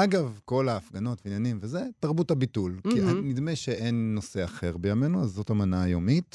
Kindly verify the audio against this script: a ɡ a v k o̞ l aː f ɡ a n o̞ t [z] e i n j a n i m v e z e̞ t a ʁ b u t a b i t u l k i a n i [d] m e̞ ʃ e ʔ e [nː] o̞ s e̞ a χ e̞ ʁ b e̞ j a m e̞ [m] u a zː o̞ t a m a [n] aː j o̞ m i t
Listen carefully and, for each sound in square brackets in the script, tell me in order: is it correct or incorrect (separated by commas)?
incorrect, correct, correct, incorrect, correct